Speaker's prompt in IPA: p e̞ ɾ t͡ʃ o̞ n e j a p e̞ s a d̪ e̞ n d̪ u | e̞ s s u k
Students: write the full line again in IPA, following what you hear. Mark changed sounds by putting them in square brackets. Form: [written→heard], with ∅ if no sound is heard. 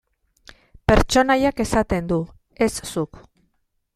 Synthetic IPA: p e̞ ɾ t͡ʃ o̞ n [e→a] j a [p→k] e̞ s a [d̪→t̪] e̞ n d̪ u | e̞ s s u k